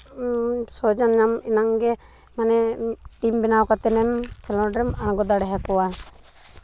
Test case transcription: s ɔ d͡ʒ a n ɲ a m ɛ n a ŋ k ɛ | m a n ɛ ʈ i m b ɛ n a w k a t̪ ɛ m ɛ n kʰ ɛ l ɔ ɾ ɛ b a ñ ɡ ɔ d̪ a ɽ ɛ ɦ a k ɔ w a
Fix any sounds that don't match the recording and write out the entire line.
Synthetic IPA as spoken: s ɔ d͡ʒ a n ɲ a m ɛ n a ŋ ɡ ɛ | m a n ɛ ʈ i m b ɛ n a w k a t̪ ɛ n ɛ m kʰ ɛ l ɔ ɾ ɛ m a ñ ɡ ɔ d̪ a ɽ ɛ ɦ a k ɔ w a